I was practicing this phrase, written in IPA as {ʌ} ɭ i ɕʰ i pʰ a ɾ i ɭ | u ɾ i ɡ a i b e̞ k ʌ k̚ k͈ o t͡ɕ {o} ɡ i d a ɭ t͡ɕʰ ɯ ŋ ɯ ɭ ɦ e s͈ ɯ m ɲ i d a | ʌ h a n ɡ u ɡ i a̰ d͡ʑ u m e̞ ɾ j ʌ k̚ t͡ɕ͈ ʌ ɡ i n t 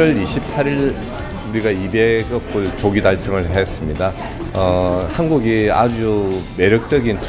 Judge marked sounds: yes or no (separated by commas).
yes, yes